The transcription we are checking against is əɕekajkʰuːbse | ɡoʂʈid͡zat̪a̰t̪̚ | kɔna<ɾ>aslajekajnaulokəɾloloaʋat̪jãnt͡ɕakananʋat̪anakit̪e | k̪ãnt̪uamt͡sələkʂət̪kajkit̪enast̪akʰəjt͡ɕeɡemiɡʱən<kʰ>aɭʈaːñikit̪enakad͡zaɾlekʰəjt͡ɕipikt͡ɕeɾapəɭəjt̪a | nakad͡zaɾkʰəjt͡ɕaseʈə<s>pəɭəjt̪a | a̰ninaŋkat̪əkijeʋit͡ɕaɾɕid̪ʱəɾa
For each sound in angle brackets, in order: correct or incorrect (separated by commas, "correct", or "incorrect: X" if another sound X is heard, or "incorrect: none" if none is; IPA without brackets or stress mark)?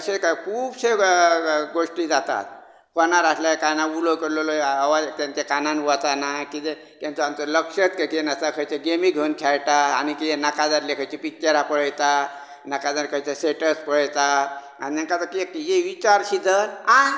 correct, correct, correct